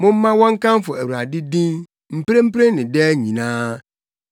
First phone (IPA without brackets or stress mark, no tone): m